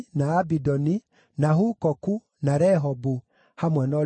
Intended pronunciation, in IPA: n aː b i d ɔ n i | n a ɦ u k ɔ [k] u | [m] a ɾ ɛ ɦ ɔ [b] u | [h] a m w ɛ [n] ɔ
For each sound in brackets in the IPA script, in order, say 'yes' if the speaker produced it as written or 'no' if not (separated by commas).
yes, no, yes, yes, yes